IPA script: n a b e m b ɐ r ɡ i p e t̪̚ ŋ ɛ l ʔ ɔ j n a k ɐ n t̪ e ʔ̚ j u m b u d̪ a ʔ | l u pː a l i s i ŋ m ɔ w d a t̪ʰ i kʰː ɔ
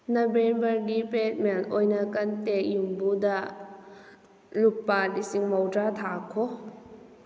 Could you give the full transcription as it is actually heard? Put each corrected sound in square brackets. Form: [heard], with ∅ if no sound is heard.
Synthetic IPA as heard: n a b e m b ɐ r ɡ i p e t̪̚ [m] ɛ l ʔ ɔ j n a k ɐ n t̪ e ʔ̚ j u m b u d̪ a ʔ | l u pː a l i s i ŋ m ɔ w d a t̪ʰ [a] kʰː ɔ